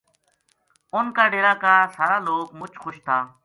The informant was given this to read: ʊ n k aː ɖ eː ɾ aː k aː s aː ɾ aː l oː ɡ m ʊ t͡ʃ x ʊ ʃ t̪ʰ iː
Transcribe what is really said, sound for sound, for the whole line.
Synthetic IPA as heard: ʊ n k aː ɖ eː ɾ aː k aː s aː ɾ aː l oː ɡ m ʊ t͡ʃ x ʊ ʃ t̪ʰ aː